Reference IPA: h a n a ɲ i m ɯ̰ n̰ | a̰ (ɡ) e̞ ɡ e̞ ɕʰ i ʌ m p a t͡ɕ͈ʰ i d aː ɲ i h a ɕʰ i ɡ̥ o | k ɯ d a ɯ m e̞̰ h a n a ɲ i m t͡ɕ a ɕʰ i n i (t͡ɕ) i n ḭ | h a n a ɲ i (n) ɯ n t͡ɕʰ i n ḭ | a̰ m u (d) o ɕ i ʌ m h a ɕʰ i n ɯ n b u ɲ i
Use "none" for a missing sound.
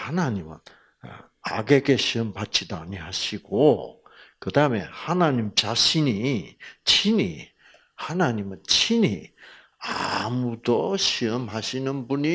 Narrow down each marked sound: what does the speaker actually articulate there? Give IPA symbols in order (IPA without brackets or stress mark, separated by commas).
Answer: ɡ, t͡ɕʰ, m, d